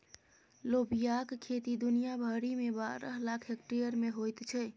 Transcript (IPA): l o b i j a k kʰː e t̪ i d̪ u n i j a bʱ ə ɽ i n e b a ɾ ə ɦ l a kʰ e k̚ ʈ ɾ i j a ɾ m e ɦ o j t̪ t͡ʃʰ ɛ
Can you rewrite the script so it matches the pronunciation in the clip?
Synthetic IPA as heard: l o b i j a k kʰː e t̪ i d̪ u n i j a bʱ ə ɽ i m e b a ɾ ə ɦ l a kʰ e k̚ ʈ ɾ i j ə ɾ m e ɦ o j t̪ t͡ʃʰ ɛ